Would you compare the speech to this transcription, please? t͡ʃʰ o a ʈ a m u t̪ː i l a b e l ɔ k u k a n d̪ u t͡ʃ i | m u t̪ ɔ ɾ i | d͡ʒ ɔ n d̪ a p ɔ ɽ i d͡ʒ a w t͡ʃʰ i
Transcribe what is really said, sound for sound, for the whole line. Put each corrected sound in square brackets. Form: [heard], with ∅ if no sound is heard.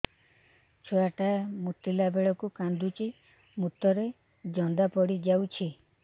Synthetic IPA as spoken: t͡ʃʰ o a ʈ a m u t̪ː i l a b e [ɭ] ɔ k u k a n d̪ u t͡ʃ i | m u t̪ ɔ ɾ [e] | d͡ʒ ɔ n d̪ a p ɔ ɽ i d͡ʒ a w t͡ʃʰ i